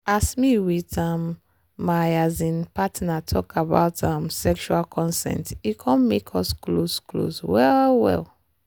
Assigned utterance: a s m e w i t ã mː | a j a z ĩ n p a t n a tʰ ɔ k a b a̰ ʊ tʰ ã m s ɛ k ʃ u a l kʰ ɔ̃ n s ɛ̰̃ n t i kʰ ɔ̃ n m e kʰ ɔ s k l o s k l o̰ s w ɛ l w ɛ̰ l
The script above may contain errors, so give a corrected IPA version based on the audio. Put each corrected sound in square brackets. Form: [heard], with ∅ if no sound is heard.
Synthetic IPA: a s m [i] w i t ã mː | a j a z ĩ n p a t n a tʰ ɔ k a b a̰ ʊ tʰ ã m s ɛ k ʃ u a l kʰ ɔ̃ n s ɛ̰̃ n t i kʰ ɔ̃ n m e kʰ ɔ s k l o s k l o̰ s w ɛ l w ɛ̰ l